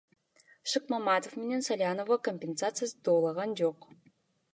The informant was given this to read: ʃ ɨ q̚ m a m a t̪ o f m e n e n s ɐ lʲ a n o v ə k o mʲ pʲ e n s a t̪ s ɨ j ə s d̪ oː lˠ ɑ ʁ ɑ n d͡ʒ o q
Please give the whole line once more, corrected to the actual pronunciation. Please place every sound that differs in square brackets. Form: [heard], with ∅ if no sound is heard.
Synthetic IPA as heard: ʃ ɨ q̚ m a m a t̪ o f m e n e n s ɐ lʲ a n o v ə k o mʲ pʲ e n s a t̪ s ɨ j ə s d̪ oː lˠ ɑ ʁ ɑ n d͡ʒ o q